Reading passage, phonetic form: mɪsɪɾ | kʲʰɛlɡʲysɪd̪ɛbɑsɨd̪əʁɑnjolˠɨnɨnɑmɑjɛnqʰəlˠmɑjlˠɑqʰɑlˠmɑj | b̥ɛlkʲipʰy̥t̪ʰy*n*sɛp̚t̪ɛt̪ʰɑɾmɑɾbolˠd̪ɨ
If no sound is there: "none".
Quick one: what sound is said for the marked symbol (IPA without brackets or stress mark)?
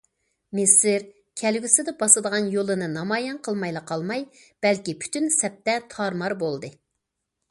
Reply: n